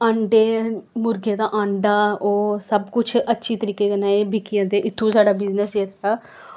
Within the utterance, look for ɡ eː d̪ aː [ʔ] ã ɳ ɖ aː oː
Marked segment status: correct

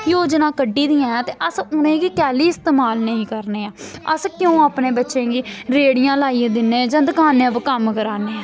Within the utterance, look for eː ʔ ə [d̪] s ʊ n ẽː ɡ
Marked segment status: incorrect: none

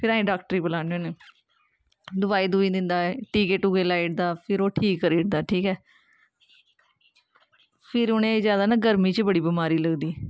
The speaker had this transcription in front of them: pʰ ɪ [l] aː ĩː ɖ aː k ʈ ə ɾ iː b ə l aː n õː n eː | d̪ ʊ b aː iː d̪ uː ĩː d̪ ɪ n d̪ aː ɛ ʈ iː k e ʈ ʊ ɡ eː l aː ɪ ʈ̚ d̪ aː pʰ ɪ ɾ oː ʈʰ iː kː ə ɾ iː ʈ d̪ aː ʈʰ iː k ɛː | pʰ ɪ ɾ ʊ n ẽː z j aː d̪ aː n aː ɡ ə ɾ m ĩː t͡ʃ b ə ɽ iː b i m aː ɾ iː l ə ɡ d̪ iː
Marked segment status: incorrect: ɾ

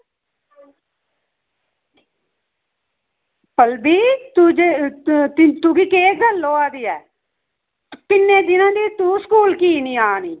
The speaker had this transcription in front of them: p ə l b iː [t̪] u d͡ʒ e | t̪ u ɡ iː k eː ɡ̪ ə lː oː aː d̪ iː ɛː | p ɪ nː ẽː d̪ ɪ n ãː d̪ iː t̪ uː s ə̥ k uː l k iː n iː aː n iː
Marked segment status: correct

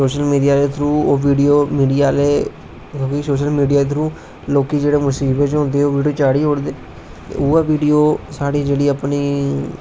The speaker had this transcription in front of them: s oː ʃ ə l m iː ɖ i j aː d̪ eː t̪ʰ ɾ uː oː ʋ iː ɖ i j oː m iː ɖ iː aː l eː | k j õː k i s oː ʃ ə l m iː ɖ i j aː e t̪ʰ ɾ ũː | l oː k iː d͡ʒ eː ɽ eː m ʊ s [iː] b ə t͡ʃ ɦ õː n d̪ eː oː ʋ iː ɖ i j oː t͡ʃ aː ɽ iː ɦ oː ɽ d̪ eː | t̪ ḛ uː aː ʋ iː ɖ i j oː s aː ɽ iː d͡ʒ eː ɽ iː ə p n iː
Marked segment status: correct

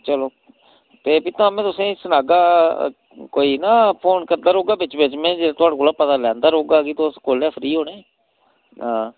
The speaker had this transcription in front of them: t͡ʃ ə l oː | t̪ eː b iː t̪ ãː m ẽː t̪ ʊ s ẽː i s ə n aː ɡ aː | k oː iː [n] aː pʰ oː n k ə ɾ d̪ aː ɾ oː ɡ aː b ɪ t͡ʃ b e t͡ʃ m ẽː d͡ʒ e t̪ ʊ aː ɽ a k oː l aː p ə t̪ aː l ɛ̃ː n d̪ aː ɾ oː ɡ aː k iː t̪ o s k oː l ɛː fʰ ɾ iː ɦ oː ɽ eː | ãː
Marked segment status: correct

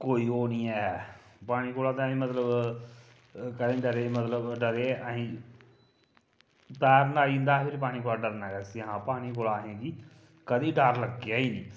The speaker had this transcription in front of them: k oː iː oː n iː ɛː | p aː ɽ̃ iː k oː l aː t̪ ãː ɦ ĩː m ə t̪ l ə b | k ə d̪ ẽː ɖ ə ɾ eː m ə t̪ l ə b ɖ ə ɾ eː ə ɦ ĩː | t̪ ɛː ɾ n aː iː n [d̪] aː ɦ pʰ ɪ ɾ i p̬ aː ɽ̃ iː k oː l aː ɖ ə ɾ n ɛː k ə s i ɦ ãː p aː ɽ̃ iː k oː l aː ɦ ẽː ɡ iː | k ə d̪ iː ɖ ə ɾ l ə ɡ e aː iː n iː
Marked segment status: correct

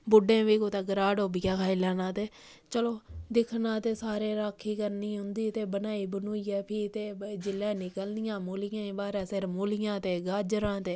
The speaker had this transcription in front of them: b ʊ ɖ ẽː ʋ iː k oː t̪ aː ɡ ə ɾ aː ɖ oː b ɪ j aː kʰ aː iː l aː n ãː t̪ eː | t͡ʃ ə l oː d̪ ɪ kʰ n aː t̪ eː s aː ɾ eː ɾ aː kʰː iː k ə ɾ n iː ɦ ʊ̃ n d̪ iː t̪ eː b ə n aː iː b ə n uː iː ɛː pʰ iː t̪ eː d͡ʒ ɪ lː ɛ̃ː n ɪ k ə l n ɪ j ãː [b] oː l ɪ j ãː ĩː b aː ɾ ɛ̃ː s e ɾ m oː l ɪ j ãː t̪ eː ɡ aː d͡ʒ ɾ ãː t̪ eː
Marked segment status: incorrect: m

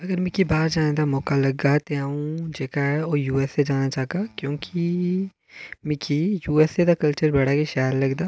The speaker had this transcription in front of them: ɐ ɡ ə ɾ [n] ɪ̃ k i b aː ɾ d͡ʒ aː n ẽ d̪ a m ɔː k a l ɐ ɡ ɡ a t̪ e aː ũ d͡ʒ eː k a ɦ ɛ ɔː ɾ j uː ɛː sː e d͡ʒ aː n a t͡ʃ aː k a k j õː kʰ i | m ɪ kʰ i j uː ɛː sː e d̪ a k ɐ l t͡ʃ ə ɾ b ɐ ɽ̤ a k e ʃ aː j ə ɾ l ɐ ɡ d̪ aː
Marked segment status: incorrect: m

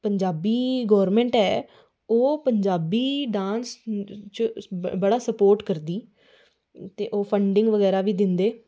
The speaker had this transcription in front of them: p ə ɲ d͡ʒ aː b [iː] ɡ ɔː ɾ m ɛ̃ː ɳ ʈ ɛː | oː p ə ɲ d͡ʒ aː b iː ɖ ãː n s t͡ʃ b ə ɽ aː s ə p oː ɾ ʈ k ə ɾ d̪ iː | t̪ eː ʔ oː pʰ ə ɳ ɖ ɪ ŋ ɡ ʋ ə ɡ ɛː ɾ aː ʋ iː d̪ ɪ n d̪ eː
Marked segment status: correct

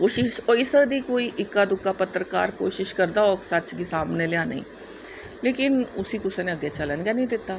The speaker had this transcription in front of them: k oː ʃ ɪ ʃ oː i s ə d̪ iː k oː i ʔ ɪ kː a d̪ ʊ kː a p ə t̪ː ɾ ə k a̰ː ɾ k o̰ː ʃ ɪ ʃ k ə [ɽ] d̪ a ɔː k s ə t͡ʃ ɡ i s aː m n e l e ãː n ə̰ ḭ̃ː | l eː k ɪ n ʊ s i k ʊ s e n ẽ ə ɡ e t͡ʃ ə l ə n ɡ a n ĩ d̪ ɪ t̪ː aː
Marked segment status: incorrect: ɾ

